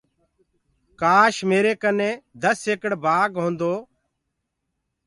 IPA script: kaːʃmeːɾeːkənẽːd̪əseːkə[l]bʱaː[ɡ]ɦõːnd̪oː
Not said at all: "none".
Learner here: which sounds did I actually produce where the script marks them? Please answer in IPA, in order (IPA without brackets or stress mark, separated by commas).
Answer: ɽ, ɡ